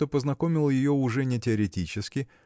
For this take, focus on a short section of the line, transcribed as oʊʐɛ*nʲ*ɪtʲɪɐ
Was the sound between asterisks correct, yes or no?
yes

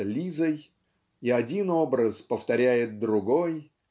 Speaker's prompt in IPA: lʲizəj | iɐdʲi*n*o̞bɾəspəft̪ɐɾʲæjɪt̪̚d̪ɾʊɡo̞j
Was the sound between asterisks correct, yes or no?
yes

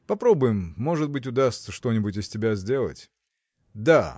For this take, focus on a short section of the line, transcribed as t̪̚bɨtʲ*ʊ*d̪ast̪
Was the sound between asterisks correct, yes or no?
yes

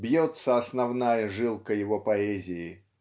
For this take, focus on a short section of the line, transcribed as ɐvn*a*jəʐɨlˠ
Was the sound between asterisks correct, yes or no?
yes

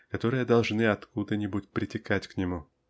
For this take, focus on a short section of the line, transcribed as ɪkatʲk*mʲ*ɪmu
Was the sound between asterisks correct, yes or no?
no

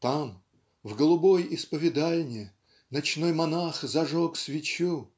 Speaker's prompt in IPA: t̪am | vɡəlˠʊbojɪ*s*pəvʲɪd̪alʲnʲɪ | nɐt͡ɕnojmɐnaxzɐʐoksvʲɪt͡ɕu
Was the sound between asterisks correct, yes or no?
yes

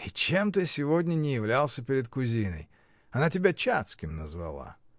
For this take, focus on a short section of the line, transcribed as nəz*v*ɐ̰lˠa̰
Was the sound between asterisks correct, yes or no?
yes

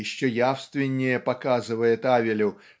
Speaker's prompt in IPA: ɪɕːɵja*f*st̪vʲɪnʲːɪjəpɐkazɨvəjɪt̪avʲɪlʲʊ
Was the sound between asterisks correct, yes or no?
yes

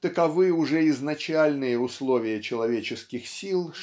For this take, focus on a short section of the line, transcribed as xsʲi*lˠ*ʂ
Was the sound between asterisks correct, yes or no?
yes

